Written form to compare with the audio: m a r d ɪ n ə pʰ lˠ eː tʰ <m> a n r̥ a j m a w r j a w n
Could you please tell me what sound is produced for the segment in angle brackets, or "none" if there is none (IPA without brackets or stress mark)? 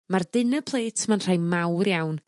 m